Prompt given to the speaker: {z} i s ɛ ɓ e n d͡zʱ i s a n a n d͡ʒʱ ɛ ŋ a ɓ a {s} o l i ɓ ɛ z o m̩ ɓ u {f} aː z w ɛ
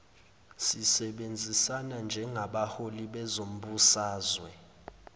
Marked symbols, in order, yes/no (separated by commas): no, no, no